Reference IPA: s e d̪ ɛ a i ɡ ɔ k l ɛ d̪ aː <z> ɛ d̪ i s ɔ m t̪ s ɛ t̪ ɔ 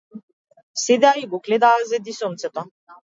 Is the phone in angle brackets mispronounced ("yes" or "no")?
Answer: no